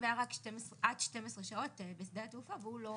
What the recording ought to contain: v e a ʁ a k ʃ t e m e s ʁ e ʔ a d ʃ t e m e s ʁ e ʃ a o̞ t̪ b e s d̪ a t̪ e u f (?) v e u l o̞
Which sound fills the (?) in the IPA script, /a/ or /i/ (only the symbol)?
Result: a